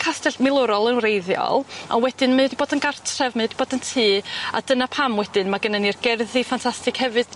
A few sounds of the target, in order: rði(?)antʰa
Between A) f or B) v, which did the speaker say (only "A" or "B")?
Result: A